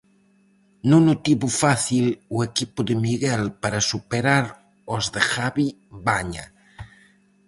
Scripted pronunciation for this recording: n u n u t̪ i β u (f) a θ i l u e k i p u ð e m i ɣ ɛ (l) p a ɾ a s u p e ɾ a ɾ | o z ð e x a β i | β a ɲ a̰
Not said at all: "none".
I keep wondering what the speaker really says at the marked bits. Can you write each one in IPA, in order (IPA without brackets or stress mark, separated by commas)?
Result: f, l